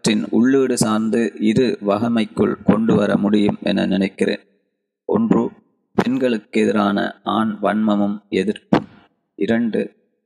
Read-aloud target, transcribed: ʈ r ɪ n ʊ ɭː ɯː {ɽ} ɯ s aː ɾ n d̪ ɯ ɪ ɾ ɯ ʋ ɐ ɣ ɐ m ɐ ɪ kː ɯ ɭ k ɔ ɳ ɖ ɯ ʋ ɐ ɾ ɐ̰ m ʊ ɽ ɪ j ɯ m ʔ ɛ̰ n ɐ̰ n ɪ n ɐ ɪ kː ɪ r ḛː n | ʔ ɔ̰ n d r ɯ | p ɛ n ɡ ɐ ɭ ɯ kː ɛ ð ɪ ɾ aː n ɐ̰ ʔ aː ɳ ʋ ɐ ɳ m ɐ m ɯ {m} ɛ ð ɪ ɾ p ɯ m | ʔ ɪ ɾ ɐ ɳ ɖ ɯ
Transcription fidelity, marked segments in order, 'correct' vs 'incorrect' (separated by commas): correct, correct